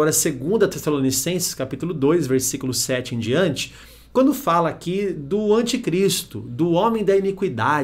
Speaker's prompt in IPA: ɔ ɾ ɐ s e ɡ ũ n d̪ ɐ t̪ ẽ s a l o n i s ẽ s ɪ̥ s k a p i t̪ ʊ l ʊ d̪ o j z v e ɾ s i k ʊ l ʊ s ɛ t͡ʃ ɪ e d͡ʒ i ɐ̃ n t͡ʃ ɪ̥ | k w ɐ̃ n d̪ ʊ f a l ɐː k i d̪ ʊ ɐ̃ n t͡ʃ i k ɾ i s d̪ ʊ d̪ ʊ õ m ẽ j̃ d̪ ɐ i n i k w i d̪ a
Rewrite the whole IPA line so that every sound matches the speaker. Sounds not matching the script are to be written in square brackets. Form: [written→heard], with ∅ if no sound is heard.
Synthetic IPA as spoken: ɔ ɾ ɐ s e ɡ ũ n d̪ ɐ t̪ [ẽ→e] s a l o n i s ẽ s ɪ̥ s k a p i t̪ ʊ l ʊ d̪ o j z v e ɾ s i k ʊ l ʊ s ɛ t͡ʃ ɪ [e→ẽ] d͡ʒ i ɐ̃ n t͡ʃ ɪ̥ | k w ɐ̃ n d̪ ʊ f a l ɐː k i d̪ ʊ ɐ̃ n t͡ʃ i k ɾ i s [d̪→t̪] ʊ d̪ ʊ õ m ẽ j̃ d̪ ɐ i n i k w i d̪ a

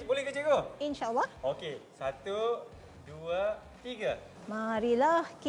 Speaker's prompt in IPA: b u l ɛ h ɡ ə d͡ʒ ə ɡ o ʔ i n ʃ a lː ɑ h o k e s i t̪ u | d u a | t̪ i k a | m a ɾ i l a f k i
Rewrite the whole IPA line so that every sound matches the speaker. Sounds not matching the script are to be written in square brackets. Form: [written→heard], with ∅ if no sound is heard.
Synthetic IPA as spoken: b [u→o] l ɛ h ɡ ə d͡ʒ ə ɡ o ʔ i n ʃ a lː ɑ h o k e s [i→a] t̪ u | d u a | t̪ i [k→ɡ] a | m a ɾ i l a [f→h] k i

